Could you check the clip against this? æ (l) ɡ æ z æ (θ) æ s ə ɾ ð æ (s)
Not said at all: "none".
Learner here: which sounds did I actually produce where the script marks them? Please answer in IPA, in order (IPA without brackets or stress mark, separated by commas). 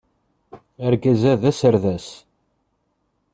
ɾ, ð, s